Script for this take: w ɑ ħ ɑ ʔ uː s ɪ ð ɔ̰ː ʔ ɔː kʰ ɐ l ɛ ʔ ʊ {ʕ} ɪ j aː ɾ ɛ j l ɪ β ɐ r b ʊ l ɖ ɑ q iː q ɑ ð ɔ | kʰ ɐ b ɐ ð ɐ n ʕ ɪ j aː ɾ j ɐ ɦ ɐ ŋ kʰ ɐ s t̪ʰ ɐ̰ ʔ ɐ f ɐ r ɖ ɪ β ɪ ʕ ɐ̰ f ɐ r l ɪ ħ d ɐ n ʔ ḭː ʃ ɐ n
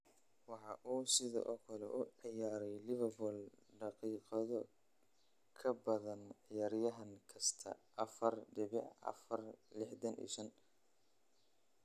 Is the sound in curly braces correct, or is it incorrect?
correct